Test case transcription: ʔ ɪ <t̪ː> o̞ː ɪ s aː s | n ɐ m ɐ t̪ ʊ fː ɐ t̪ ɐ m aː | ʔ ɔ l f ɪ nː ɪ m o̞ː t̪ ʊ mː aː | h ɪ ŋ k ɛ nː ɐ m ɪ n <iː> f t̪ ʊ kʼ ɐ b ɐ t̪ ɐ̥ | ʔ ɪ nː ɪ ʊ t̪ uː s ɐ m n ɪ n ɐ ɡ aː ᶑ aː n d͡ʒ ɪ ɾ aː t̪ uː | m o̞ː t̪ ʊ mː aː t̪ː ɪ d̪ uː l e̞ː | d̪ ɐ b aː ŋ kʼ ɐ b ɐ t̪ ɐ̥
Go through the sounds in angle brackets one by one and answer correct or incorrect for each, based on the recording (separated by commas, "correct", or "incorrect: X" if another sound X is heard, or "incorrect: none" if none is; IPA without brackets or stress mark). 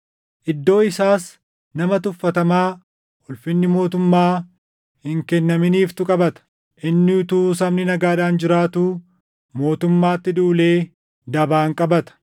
incorrect: d̪ː, correct